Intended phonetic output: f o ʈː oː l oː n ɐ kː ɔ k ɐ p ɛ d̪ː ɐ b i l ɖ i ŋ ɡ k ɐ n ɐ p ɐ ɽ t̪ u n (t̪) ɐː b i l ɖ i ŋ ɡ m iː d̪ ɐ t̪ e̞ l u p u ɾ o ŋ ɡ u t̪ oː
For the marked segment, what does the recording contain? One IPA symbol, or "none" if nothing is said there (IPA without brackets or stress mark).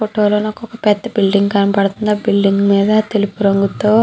d̪